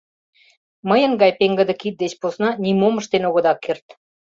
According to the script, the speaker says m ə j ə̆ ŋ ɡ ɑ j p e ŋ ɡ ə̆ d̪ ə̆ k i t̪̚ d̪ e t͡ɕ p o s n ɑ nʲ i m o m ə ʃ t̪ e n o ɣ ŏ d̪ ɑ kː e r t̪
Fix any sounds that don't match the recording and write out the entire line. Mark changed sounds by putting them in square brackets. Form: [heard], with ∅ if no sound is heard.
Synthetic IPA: m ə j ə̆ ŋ ɡ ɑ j p e ŋ ɡ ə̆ d̪ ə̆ k i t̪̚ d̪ e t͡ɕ p o s n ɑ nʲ i m o m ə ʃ t̪ e n o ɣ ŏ d̪ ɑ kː e r t̪